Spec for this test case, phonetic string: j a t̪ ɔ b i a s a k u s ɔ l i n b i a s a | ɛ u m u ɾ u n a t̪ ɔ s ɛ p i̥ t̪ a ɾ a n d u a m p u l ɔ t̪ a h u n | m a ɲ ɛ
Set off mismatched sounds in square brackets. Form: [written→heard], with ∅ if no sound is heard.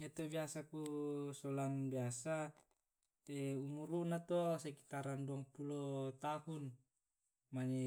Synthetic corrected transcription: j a t̪ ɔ b i a s a k u s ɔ l [i→a] n b i a s a | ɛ u m u ɾ u n a t̪ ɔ s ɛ [p→k] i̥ t̪ a ɾ a n d u a [m→ŋ] p u l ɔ t̪ a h u n | m a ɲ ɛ